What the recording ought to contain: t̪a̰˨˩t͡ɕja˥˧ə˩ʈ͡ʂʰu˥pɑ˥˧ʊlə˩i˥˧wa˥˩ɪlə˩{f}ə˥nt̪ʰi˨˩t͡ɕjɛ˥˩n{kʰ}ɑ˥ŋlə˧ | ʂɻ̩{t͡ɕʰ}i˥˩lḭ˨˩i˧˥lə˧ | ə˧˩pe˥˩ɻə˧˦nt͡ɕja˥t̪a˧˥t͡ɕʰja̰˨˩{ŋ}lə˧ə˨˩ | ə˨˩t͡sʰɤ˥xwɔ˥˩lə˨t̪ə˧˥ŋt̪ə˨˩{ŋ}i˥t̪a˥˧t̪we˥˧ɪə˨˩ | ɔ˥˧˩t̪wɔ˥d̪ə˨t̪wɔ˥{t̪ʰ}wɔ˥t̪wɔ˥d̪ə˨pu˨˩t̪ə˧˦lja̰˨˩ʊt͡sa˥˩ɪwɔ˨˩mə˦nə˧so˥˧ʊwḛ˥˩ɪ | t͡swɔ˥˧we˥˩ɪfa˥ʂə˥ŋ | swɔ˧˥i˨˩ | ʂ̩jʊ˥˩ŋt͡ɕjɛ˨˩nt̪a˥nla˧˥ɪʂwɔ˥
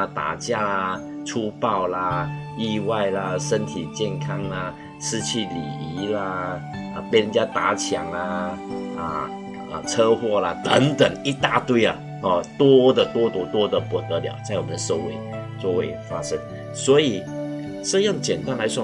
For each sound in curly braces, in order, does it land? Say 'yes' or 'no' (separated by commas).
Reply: no, yes, yes, yes, yes, no